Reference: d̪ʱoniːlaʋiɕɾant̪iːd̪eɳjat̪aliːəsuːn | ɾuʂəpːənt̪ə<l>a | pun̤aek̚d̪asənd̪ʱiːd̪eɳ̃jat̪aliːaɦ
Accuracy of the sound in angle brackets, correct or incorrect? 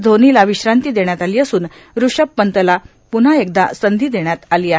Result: correct